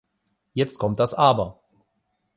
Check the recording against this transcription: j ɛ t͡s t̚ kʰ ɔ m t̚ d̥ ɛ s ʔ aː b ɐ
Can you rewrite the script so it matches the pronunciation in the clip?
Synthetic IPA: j ɛ t͡s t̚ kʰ ɔ m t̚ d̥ a s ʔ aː b ɐ